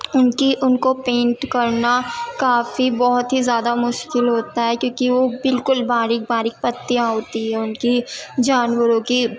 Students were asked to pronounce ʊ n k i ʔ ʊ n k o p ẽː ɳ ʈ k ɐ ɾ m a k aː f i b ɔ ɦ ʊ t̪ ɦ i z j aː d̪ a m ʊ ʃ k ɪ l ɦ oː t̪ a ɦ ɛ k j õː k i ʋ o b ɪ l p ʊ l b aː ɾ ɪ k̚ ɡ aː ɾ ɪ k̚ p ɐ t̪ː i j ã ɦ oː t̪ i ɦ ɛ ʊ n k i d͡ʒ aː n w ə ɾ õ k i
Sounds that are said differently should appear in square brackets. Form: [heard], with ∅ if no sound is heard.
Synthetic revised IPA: ʊ n k i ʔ ʊ n k o p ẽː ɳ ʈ k ɐ ɾ [n] a k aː f i b ɔ ɦ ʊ t̪ ɦ i z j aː d̪ a m ʊ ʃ k ɪ l ɦ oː t̪ a ɦ ɛ k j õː k i ʋ o b ɪ l [k] ʊ l b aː ɾ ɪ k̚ [b] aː ɾ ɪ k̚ p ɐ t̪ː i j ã ɦ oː t̪ i ɦ ɛ ʊ n k i d͡ʒ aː n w ə ɾ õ k i